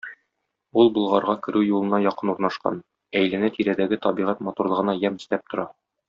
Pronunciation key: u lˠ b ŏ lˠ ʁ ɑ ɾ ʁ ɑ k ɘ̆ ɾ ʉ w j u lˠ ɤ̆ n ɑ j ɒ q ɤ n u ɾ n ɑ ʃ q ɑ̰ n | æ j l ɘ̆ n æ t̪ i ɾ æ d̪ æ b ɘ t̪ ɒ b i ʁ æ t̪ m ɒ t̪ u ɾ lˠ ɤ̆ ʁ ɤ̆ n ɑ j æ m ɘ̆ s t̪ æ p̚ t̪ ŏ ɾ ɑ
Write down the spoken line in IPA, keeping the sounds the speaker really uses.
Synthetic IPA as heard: u lˠ b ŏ lˠ ʁ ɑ ɾ ʁ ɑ k ɘ̆ ɾ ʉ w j u lˠ ɤ̆ n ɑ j ɒ q ɤ n u ɾ n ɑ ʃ q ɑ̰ n | æ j l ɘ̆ n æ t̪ i ɾ æ d̪ æ ɡ ɘ t̪ ɒ b i ʁ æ t̪ m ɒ t̪ u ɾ lˠ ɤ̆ ʁ ɤ̆ n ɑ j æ m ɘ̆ s t̪ æ p̚ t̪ ŏ ɾ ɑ